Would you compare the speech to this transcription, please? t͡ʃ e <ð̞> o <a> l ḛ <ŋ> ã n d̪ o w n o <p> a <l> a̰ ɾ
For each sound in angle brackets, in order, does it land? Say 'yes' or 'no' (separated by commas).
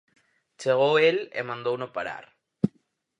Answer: no, no, no, yes, no